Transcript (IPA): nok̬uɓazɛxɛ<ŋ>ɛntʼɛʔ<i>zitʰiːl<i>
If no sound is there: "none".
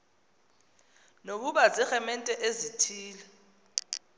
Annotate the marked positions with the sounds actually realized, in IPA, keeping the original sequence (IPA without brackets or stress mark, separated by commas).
m, e, ɛ